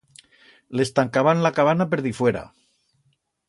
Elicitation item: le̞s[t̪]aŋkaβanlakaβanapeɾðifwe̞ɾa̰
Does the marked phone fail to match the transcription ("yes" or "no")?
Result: no